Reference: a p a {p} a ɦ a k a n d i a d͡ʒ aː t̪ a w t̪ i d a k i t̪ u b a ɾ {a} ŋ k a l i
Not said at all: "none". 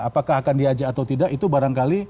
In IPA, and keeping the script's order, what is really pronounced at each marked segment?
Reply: k, a

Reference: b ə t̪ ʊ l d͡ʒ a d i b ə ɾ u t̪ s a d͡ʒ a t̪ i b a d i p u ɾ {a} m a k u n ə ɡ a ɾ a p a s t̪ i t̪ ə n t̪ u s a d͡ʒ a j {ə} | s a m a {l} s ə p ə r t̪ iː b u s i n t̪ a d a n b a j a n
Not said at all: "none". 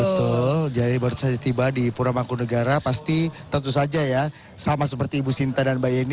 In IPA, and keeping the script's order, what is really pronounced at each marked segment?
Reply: a, a, none

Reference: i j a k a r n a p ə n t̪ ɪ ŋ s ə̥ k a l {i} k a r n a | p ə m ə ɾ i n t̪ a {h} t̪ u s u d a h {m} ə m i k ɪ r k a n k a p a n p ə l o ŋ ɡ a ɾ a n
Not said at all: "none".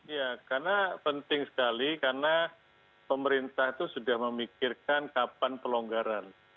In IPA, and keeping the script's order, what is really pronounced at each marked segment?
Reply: i, h, m

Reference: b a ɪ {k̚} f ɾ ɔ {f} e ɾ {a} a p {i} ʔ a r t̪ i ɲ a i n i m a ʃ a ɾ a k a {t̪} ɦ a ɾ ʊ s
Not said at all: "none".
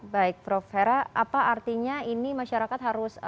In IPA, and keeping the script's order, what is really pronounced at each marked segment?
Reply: k̚, f, a, a, t̪

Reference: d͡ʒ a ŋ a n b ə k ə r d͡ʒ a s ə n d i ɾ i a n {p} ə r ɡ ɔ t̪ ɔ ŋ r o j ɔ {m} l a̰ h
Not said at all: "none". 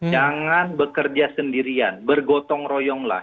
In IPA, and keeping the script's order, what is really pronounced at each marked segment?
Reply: b, ŋ

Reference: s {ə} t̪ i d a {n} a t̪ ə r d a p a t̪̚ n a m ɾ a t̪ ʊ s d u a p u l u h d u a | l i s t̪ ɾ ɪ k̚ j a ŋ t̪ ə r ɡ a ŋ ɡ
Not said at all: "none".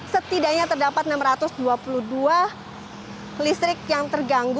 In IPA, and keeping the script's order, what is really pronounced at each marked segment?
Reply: ə, ɲ

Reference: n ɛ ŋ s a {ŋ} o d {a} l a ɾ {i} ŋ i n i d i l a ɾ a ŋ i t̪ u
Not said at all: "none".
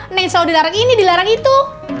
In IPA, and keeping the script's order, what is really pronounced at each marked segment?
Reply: none, i, a

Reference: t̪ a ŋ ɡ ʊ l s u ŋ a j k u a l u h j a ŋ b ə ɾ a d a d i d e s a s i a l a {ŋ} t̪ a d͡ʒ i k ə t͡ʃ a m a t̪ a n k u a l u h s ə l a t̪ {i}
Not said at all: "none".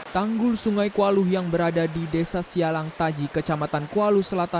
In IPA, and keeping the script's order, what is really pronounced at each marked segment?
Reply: ŋ, a

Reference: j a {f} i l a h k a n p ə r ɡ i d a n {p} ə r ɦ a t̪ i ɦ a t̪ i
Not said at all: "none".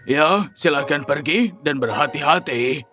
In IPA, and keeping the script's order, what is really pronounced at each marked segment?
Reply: s, b

